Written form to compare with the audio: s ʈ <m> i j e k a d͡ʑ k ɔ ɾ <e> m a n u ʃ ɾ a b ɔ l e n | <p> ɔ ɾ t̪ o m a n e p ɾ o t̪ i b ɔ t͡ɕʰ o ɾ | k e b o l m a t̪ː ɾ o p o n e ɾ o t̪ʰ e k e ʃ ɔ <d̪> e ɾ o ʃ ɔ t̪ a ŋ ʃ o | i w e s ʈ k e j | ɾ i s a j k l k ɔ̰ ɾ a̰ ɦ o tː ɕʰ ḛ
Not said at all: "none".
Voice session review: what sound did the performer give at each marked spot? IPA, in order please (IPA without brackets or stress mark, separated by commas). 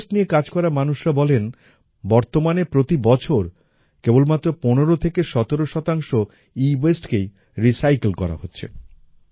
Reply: n, a, b, t̪